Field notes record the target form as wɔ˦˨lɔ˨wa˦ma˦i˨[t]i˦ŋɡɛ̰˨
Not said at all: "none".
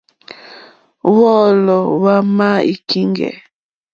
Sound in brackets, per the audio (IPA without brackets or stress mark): k